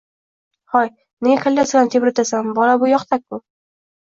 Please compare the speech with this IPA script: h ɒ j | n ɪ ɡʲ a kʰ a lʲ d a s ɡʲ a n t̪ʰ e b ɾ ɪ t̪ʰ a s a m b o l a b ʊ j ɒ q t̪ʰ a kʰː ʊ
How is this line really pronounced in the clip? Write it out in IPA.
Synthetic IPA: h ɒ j | n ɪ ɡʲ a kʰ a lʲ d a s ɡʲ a n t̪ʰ e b ɾ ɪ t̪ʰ a s a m b ɒ l a b ʊ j ɒ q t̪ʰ a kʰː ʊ